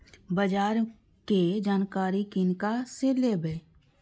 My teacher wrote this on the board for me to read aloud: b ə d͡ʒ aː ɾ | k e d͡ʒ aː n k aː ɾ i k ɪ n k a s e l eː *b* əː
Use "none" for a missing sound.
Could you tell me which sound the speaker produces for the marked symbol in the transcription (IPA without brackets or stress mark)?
b